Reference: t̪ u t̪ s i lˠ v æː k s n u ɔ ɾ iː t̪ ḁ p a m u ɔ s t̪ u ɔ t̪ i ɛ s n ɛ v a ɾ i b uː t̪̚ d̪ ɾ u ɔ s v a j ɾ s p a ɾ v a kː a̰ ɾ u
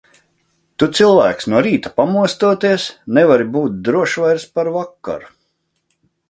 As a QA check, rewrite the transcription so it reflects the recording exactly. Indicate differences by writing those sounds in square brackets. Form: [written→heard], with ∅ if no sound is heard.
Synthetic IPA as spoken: t̪ u t̪ s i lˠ v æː k s n u ɔ ɾ iː t̪ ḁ p a m u ɔ s t̪ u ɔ t̪ i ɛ s n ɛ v a ɾ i b uː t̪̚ d̪ ɾ u ɔ [s→ʃ] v a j ɾ s p a ɾ v a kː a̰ ɾ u